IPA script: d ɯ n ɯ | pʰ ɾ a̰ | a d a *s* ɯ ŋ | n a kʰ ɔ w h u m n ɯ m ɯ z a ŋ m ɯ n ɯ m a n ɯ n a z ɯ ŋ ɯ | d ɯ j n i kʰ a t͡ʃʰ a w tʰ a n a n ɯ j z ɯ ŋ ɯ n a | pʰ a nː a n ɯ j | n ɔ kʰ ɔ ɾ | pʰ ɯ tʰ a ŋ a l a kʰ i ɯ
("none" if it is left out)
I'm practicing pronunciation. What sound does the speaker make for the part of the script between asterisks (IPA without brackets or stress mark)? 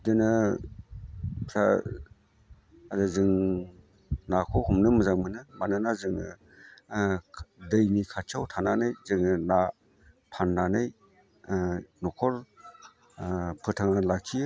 z